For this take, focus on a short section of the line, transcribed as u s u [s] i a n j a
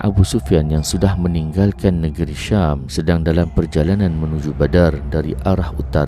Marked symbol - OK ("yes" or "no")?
no